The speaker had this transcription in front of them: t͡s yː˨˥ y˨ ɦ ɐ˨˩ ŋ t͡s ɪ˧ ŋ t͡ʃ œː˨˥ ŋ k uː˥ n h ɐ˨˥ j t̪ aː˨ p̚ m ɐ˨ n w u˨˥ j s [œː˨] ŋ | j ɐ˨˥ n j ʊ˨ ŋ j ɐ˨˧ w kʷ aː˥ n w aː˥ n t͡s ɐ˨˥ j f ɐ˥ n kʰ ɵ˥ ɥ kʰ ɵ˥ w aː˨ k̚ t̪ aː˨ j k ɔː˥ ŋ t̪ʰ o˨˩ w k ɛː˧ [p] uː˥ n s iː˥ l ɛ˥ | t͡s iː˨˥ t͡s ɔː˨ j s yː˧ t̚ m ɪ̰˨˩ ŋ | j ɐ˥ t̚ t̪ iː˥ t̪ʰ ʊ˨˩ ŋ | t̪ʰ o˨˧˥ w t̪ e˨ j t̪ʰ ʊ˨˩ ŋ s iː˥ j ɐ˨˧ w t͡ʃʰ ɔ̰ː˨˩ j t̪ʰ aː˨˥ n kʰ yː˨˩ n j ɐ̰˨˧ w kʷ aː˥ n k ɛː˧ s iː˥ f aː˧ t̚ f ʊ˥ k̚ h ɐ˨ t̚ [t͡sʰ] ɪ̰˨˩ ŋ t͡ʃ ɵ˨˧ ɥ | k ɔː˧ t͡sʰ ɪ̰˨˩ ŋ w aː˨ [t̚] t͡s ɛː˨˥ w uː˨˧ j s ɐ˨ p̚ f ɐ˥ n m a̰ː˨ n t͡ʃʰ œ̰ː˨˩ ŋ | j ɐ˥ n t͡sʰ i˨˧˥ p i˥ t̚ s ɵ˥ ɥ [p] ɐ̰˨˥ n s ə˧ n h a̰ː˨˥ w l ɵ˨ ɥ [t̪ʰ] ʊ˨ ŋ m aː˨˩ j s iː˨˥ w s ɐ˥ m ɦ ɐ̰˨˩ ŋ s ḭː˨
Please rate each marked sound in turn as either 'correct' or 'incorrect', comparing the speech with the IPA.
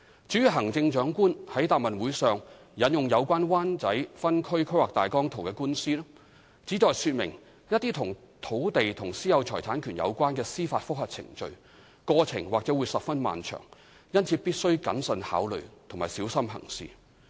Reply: correct, incorrect, correct, incorrect, incorrect, correct

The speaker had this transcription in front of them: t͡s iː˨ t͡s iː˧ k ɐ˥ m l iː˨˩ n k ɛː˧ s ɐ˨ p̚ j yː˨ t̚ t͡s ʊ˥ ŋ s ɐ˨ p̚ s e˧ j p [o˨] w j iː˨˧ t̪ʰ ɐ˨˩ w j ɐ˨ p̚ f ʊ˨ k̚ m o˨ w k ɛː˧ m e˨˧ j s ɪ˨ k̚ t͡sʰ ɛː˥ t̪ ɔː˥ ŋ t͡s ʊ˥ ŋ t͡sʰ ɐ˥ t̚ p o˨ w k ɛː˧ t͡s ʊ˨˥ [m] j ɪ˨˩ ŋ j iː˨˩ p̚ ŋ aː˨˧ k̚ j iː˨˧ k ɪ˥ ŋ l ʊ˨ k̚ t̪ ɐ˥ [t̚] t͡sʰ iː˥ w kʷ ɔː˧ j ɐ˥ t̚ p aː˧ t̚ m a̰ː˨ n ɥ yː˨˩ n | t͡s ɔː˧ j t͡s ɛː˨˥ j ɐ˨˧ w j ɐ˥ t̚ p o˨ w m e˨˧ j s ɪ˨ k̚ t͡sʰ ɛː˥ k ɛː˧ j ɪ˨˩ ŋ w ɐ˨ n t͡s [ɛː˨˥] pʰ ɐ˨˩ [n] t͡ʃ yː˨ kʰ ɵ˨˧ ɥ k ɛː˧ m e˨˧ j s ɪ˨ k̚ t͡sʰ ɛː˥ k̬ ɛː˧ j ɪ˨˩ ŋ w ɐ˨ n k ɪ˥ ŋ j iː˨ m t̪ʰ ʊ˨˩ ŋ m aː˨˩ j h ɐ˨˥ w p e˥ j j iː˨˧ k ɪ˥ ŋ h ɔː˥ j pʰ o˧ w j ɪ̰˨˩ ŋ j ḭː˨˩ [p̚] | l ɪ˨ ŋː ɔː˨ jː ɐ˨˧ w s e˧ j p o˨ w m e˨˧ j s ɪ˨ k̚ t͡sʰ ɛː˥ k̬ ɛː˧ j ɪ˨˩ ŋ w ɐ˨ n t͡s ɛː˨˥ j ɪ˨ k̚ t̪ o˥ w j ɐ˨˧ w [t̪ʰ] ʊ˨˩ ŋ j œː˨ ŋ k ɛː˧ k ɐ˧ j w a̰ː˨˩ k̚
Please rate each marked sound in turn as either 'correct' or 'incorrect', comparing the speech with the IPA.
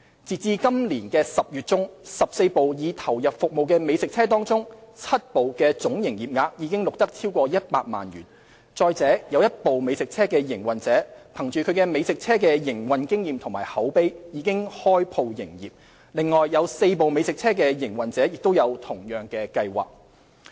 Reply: correct, incorrect, incorrect, correct, incorrect, correct, correct

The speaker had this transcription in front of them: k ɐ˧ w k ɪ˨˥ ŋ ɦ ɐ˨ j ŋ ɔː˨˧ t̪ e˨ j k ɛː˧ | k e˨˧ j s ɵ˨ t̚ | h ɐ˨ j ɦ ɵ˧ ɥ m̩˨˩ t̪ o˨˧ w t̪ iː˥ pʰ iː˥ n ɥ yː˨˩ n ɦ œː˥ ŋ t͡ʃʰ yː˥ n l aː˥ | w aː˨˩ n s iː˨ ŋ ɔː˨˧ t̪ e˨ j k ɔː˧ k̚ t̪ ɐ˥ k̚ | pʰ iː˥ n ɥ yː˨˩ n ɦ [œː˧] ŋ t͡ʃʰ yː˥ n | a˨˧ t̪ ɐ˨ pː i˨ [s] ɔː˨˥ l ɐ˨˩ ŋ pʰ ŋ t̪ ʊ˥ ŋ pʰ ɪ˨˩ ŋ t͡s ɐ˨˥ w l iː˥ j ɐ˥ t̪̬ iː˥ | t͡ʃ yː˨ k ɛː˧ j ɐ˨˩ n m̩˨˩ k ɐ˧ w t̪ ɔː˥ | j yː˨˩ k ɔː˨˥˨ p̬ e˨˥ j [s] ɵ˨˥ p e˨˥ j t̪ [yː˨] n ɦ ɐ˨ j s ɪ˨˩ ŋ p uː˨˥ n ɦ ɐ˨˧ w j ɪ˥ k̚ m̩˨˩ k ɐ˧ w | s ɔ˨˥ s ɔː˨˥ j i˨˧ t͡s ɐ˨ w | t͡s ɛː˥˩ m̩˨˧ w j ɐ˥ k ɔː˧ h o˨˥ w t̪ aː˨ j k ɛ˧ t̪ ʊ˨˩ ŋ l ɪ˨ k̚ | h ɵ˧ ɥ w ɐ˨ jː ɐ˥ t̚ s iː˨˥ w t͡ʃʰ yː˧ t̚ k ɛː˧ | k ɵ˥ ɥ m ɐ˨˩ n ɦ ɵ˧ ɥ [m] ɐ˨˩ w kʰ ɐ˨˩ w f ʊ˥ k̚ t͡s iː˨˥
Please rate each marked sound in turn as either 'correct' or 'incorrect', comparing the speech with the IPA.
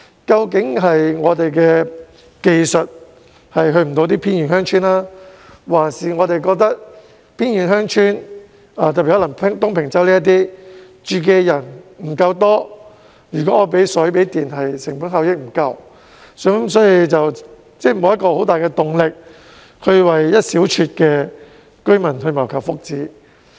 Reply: incorrect, incorrect, correct, incorrect, correct

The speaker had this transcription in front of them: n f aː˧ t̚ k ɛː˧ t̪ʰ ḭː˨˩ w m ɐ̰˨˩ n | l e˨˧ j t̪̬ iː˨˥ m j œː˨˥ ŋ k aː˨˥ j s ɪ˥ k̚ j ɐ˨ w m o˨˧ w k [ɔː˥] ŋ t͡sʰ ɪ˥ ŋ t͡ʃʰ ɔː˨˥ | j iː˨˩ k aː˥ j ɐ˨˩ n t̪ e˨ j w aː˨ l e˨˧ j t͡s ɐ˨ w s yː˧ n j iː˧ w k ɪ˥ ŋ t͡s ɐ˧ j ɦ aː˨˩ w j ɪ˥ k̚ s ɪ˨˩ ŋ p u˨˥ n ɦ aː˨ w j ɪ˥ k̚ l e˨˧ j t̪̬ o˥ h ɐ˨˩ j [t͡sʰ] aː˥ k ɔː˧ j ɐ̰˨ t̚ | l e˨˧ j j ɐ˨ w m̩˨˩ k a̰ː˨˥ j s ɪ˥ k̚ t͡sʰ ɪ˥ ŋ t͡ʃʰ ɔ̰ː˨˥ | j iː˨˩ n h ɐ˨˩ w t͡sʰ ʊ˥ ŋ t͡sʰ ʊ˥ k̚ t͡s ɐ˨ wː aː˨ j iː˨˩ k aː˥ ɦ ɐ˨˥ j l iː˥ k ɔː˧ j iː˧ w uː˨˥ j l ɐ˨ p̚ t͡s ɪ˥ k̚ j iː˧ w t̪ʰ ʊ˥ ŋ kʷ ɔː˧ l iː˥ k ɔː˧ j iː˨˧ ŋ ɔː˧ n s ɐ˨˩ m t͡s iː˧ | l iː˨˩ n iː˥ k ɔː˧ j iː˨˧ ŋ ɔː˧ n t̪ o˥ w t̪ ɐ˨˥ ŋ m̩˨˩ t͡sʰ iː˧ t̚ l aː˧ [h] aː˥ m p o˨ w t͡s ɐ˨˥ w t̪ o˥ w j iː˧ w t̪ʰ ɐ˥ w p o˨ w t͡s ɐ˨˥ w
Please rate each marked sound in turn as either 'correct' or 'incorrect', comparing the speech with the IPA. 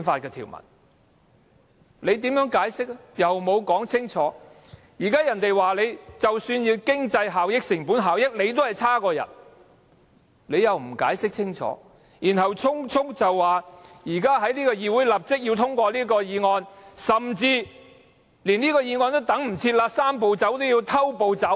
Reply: incorrect, correct, incorrect

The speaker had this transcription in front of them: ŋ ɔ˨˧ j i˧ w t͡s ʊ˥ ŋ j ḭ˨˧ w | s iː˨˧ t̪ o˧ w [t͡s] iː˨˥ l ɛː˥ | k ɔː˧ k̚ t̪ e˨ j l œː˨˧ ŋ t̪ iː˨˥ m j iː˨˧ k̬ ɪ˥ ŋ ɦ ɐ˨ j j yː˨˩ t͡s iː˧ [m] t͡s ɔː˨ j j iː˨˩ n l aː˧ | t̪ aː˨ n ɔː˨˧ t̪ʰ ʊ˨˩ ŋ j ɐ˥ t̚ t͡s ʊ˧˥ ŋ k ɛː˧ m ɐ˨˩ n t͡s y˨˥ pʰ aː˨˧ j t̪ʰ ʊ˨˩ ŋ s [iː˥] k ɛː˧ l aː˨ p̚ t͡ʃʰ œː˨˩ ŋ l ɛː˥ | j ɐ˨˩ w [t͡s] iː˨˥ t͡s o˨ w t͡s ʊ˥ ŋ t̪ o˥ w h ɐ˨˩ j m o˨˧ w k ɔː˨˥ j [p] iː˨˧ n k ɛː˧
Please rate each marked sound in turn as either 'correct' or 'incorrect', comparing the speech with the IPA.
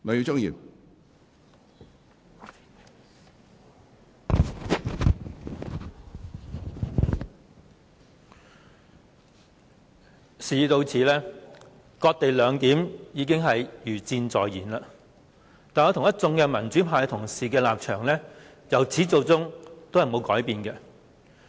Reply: incorrect, incorrect, incorrect, incorrect, correct

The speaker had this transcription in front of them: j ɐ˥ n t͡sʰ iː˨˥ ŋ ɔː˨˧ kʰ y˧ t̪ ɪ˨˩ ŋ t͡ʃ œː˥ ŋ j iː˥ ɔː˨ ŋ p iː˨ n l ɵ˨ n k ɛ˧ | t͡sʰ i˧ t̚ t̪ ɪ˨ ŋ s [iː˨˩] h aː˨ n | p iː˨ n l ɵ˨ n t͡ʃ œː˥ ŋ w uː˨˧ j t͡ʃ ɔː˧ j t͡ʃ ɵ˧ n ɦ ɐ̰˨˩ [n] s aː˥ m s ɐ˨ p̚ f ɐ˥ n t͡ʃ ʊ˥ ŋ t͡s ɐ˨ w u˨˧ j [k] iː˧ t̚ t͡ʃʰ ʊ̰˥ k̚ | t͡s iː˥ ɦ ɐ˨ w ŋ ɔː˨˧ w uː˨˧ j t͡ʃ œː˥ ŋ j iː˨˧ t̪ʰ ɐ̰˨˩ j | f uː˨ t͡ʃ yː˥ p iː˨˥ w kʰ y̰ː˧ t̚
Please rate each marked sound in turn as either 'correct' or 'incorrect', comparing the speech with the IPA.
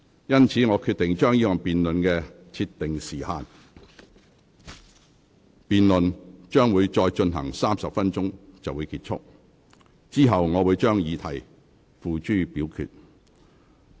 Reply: correct, incorrect, correct

